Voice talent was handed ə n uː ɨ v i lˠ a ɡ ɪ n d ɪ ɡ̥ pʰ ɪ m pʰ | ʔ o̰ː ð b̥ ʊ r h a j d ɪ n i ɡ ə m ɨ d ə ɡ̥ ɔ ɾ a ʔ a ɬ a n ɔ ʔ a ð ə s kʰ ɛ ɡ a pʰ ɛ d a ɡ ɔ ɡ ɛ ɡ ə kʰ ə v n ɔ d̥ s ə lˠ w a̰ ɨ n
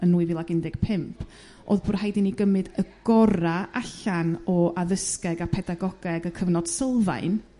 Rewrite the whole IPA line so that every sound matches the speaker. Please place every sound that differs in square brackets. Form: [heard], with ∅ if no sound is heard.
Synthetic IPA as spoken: ə n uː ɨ v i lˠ a ɡ ɪ n d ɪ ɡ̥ pʰ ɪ m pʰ | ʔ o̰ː ð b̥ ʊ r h a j d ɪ n i ɡ ə m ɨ d ə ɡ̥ ɔ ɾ a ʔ a ɬ a n ɔ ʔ a ð ə s [k] ɛ ɡ a pʰ ɛ d a ɡ ɔ ɡ ɛ ɡ ə kʰ ə v n ɔ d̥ s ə lˠ [v] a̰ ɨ n